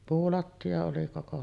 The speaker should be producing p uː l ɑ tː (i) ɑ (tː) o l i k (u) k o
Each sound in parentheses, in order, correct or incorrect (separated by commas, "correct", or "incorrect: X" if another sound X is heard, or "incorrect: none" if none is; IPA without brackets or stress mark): correct, incorrect: none, incorrect: o